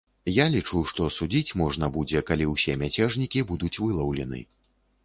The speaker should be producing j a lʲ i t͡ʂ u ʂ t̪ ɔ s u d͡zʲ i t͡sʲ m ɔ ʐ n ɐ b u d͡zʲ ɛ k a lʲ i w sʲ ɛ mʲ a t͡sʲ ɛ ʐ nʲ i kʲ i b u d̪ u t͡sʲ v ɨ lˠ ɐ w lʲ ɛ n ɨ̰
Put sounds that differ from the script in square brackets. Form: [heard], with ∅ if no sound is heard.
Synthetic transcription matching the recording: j a lʲ i t͡ʂ u ʂ t̪ ɔ s u d͡zʲ i t͡sʲ m ɔ ʐ n ɐ b u d͡zʲ ɛ k a lʲ i w sʲ ɛ mʲ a t͡sʲ ɛ ʐ nʲ i kʲ i b u d̪ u t͡sʲ v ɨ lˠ ɐ w lʲ ɛ n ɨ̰